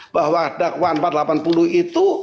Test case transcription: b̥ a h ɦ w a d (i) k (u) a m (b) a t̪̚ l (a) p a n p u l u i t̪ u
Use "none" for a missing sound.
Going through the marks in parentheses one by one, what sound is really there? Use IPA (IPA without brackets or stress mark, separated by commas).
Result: a, w, p, a